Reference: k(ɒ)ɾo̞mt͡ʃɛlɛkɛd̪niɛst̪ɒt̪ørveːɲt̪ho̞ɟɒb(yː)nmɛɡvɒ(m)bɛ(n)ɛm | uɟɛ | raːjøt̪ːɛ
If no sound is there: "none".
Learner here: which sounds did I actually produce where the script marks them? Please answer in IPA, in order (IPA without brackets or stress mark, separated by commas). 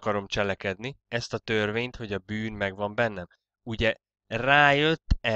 ɒ, yː, m, nː